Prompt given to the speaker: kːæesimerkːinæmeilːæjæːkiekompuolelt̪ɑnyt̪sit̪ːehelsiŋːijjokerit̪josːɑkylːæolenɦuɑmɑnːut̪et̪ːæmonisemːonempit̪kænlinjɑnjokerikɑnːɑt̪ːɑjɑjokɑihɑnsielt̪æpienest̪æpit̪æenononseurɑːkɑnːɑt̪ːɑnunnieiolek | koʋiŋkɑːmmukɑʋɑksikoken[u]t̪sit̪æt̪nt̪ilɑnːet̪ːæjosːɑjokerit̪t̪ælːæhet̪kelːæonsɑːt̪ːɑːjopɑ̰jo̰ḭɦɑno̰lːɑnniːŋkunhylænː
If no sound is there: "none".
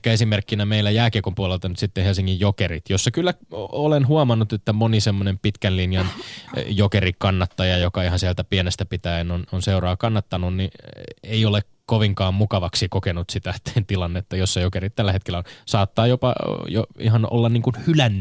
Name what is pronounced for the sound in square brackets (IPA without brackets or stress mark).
u